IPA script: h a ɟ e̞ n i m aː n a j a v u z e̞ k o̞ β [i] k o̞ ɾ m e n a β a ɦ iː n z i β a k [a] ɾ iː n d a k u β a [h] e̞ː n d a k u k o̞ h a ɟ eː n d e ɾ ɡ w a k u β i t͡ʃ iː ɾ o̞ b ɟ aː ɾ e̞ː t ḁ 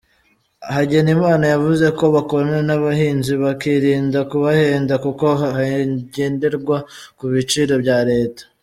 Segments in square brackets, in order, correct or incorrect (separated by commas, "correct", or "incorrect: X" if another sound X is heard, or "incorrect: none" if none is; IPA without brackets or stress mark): incorrect: a, incorrect: i, correct